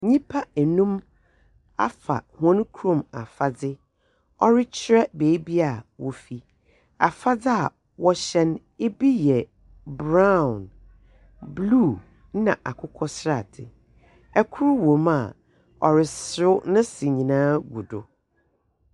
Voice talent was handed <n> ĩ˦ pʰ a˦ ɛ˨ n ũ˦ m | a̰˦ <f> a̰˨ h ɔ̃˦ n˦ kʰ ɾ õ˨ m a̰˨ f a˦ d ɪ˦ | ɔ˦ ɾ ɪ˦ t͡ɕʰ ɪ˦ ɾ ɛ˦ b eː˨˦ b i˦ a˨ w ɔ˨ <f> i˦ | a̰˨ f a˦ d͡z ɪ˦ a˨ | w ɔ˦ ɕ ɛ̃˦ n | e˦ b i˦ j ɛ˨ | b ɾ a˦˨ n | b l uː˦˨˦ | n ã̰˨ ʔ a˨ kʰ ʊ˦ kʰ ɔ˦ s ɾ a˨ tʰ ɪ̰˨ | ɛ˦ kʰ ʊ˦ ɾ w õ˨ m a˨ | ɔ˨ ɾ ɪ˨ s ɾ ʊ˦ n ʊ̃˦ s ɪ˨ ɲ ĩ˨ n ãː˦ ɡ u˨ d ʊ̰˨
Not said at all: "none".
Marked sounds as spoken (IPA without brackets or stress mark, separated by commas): ɲ, f, f